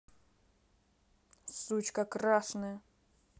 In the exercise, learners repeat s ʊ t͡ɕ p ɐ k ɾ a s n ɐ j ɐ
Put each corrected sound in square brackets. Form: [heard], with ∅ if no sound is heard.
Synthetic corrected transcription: s [u] t͡ɕ [k] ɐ k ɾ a [ʂ] n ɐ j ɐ